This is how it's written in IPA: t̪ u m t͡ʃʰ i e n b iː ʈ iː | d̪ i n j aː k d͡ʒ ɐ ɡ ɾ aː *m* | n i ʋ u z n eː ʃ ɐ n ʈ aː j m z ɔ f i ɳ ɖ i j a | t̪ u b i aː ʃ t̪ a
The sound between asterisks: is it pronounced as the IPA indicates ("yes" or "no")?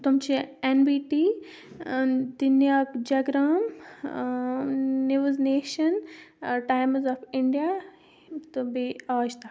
yes